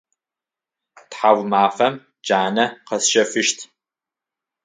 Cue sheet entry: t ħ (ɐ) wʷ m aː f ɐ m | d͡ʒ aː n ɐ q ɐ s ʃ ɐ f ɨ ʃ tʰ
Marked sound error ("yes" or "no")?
yes